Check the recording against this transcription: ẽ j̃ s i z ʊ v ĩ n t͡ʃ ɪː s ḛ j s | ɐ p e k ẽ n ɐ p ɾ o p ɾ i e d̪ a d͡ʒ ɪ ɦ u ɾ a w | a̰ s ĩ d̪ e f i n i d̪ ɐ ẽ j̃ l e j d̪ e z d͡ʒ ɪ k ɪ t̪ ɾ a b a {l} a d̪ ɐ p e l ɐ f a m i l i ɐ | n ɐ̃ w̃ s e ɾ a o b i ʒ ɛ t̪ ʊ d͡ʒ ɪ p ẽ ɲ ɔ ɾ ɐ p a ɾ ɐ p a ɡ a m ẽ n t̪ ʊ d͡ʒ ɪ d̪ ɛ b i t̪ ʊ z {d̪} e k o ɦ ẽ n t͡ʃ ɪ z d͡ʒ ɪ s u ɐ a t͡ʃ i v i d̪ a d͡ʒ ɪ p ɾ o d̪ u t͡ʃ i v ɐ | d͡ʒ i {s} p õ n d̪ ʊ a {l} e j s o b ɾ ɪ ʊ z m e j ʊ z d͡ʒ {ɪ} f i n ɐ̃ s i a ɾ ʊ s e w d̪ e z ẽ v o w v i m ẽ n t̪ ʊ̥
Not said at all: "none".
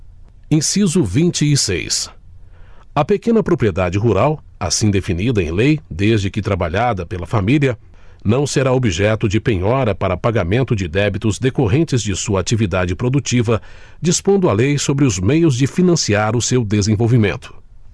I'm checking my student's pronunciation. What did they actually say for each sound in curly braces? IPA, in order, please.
ʎ, d̪, s, l, ɪ

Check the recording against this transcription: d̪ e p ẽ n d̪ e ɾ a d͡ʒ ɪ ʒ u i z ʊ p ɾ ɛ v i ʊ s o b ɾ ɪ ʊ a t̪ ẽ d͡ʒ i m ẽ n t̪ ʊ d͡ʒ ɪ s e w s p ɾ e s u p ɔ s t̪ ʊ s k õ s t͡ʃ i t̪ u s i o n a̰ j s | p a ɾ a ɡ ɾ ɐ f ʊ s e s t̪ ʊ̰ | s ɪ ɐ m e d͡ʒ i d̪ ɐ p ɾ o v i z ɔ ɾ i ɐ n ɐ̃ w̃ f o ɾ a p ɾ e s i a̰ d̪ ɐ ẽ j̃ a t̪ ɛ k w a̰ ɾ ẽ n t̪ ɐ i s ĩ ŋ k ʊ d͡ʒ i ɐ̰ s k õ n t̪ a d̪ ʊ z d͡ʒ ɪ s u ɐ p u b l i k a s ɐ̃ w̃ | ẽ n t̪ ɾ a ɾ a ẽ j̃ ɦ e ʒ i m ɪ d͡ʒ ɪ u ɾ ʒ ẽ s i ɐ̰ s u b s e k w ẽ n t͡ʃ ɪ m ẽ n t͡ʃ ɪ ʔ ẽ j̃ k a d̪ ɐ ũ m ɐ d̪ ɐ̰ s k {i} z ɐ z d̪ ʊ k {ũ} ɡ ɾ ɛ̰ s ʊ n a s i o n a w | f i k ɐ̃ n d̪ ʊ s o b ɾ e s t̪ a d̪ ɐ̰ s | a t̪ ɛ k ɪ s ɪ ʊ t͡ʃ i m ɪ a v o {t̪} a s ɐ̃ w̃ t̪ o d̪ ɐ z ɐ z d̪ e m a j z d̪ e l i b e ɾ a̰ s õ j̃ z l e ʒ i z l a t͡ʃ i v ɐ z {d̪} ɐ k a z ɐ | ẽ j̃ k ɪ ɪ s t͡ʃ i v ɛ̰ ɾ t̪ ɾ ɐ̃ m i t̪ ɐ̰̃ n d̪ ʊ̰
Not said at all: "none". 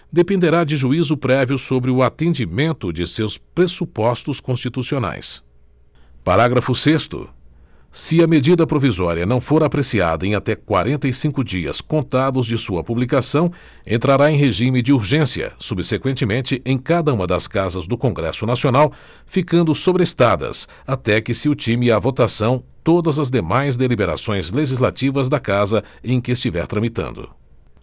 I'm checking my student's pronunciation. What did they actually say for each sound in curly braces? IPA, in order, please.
a, õ, t̪, d̪

